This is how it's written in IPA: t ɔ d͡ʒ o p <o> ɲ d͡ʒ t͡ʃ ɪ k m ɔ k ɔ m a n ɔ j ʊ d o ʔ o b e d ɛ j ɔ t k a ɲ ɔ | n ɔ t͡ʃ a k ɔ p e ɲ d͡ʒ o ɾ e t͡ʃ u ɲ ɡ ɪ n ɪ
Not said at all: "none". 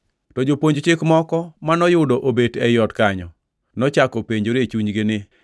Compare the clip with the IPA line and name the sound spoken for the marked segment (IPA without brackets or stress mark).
o